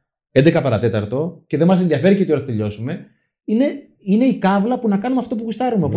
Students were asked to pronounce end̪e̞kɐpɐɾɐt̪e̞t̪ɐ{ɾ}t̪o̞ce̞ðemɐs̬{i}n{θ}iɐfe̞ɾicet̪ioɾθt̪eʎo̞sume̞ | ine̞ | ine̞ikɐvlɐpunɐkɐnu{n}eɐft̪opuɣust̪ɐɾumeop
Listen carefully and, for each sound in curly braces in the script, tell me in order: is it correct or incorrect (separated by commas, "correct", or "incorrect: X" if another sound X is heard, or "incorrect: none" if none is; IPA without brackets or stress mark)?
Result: correct, incorrect: e, incorrect: ð, incorrect: m